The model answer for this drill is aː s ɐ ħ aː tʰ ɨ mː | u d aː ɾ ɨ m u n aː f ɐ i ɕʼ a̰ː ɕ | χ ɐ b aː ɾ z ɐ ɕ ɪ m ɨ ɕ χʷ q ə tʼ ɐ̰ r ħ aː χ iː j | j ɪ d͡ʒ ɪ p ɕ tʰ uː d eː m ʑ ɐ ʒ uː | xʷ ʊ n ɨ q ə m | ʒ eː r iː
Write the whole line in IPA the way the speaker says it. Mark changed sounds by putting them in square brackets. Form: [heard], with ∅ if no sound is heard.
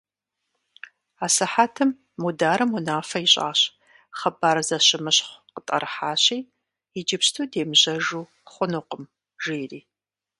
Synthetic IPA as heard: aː s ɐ ħ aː tʰ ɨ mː | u d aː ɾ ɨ m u n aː f ɐ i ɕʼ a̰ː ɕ | χ ɐ b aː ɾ z ɐ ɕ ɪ m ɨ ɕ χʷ q ə tʼ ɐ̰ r ħ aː [ɕ] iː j | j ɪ d͡ʒ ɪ p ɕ tʰ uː d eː m ʑ ɐ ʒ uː | [χʷ] ʊ n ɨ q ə m | ʒ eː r iː